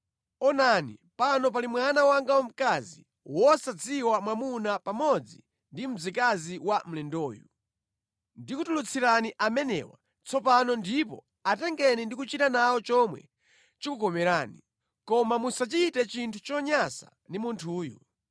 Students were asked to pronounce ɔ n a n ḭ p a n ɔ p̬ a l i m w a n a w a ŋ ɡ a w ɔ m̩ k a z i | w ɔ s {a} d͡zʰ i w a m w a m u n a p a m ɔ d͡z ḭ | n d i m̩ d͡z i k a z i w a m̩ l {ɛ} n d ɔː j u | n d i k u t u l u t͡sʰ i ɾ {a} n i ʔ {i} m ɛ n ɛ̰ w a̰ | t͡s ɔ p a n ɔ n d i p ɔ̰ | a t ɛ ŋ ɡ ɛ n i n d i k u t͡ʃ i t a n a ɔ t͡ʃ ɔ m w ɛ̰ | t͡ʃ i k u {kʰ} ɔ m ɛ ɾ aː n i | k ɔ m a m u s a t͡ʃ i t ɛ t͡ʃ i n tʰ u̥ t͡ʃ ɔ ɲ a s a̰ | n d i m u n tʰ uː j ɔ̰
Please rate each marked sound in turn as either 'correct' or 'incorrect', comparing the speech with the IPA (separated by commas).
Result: correct, correct, correct, incorrect, incorrect